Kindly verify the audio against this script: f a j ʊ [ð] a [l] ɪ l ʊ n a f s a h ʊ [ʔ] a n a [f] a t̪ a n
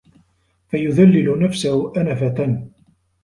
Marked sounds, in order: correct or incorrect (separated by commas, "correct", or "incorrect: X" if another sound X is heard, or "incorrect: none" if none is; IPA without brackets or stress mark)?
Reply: correct, incorrect: lː, correct, correct